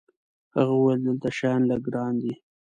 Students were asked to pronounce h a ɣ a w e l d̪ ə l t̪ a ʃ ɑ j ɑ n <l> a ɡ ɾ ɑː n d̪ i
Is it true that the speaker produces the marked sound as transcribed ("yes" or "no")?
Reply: yes